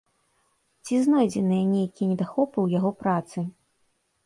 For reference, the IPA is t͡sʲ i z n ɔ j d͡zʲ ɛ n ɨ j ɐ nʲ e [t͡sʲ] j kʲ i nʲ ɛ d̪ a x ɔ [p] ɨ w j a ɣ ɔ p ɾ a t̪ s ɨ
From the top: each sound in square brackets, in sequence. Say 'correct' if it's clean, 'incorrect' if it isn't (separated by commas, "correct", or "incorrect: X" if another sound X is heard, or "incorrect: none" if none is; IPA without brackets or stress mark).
incorrect: none, correct